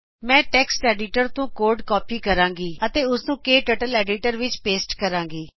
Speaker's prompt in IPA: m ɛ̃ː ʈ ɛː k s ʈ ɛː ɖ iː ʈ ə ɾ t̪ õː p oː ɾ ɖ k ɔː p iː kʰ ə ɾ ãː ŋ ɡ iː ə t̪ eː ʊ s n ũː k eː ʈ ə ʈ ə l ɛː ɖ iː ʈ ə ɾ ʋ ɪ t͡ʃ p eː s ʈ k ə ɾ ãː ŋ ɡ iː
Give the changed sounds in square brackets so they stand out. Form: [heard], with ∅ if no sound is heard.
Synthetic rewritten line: m ɛ̃ː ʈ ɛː k s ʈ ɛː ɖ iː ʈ ə ɾ t̪ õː [k] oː ɾ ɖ k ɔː p iː [k] ə ɾ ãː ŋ ɡ iː ə t̪ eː ʊ s n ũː k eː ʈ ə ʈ ə l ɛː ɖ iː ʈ ə ɾ ʋ ɪ t͡ʃ p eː s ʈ k ə ɾ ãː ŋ ɡ iː